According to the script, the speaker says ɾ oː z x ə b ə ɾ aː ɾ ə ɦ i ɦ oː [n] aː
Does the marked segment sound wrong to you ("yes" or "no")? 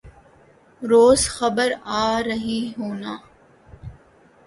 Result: no